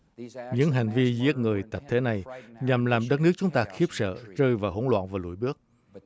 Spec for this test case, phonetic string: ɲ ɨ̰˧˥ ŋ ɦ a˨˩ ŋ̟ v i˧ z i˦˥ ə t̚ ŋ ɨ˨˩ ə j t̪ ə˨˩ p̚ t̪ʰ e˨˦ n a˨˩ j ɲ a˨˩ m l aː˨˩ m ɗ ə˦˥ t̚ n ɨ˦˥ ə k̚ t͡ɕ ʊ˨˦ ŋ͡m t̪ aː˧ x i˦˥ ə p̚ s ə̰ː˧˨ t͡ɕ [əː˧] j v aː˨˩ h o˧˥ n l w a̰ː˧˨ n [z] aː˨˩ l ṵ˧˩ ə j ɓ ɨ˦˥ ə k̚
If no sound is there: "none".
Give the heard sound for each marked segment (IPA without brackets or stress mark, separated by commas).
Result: əː˧, v